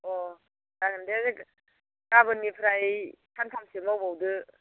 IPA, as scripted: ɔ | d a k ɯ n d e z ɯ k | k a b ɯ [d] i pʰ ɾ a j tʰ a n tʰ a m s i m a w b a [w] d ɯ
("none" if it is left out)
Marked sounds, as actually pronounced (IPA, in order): n, w

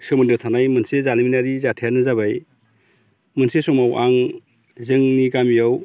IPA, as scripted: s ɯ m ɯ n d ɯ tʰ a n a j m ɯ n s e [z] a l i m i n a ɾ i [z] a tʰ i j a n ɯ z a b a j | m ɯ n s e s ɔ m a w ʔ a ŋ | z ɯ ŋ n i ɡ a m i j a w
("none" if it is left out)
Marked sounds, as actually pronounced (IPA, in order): z, z

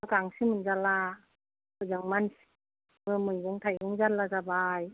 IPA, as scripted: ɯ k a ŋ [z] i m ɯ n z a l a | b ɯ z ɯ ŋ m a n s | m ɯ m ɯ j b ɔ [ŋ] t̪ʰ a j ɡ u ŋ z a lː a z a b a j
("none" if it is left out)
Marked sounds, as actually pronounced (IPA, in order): s, ŋ

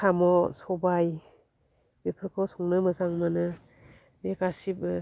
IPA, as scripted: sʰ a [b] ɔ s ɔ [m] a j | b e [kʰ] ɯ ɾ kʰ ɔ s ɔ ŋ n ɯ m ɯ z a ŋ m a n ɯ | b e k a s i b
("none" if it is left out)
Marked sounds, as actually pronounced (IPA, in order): m, b, pʰ

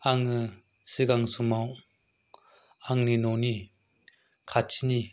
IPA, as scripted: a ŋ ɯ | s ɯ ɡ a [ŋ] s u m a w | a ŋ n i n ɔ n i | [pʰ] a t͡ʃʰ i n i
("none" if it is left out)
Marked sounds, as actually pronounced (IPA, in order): ŋ, kʰ

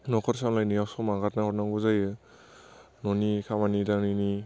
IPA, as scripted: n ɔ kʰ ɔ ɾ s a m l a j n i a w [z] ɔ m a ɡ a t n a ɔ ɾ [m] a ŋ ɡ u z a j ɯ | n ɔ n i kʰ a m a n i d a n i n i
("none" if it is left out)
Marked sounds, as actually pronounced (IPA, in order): s, n

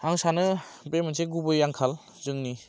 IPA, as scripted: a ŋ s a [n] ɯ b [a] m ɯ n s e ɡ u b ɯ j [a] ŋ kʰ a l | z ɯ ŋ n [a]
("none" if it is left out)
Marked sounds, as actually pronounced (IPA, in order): n, e, a, i

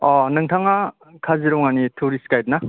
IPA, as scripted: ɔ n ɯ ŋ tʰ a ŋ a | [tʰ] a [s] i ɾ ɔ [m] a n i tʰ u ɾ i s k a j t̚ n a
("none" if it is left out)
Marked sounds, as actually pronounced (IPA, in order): kʰ, z, ŋ

